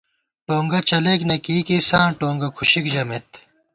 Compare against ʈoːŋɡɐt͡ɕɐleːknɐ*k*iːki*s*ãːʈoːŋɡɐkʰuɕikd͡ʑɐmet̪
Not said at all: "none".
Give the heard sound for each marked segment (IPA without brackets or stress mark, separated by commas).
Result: k, s